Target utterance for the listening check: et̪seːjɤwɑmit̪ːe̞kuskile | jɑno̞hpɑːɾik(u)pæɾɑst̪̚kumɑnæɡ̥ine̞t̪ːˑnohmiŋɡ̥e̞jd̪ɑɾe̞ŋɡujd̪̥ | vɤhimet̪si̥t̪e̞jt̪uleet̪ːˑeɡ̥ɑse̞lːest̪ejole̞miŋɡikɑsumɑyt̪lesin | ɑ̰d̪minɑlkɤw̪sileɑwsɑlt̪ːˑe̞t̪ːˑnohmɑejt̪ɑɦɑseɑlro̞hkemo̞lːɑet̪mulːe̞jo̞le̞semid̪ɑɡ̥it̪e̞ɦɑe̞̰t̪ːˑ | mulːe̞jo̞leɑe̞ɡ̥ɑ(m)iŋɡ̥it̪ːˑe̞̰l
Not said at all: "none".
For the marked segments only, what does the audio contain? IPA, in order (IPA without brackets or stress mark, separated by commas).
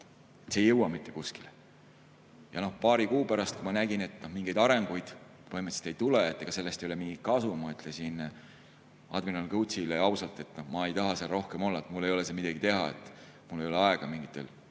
uː, m